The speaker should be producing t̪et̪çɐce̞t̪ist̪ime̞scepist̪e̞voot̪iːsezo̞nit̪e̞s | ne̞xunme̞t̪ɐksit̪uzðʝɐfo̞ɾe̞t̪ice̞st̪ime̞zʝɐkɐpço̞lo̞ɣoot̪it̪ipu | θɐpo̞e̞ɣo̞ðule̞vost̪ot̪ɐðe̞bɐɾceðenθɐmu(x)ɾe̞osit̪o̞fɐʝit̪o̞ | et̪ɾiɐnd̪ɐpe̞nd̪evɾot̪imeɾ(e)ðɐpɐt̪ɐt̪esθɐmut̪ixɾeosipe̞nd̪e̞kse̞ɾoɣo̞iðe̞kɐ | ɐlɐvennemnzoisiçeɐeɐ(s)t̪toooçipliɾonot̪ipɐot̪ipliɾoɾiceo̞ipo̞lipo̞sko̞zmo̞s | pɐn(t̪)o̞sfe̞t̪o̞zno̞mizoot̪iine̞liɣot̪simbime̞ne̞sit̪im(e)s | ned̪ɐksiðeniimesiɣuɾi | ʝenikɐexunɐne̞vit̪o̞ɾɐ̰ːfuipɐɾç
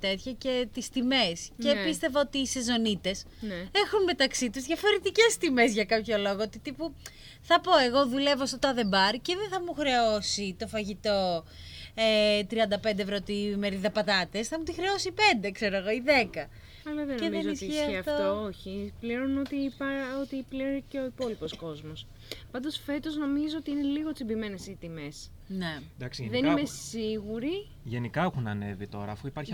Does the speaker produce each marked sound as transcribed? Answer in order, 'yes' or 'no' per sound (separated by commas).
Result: yes, no, no, no, yes